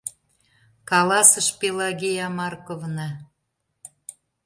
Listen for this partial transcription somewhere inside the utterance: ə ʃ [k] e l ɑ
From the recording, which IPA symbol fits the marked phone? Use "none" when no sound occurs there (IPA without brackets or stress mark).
p